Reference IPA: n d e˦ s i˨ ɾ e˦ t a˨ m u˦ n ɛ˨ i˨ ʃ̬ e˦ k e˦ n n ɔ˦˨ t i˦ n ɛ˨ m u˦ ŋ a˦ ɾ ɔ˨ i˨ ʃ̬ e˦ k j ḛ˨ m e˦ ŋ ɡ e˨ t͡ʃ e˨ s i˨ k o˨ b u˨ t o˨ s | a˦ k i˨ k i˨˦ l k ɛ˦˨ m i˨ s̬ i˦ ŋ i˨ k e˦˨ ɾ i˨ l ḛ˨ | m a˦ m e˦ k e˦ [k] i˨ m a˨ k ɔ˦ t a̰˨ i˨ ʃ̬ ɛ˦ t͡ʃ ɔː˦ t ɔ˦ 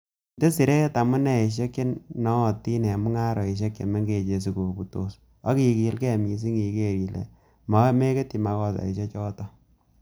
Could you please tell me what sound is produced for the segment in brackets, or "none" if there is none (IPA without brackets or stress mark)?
t